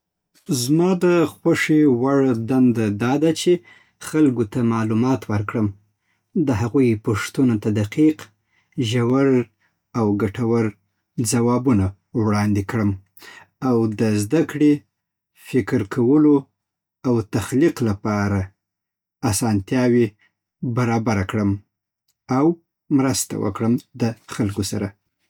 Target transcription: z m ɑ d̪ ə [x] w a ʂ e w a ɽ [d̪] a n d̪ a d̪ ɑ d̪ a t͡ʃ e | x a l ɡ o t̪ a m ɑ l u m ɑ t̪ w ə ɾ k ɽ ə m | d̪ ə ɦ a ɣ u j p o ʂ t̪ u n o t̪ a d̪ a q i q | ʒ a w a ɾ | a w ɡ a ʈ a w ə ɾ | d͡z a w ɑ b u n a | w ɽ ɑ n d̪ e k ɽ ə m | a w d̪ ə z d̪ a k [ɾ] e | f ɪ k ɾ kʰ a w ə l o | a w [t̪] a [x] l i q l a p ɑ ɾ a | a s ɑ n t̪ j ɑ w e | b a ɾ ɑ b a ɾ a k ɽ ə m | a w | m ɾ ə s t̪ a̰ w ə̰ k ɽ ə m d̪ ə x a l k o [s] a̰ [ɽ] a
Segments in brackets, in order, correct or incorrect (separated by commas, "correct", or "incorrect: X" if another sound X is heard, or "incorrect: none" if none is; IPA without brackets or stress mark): correct, correct, incorrect: ɽ, correct, correct, correct, incorrect: ɾ